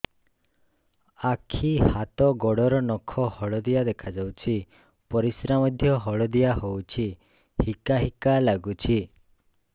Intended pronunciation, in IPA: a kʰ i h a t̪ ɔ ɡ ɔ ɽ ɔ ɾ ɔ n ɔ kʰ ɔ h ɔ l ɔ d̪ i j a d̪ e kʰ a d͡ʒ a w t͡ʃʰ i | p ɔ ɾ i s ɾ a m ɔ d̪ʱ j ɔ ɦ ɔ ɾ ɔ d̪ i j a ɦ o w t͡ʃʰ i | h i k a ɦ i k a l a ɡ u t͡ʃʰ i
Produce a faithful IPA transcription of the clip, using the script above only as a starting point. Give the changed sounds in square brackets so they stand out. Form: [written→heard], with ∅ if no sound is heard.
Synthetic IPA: a kʰ i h a t̪ ɔ ɡ ɔ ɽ ɔ ɾ ɔ n ɔ kʰ ɔ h ɔ [l→ɭ] ɔ d̪ i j a d̪ e kʰ a d͡ʒ a w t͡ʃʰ i | p ɔ ɾ i s ɾ a m ɔ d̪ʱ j ɔ ɦ ɔ [ɾ→ɭ] ɔ d̪ i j a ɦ o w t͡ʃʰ i | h i k a ɦ i k a l a ɡ u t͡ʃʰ i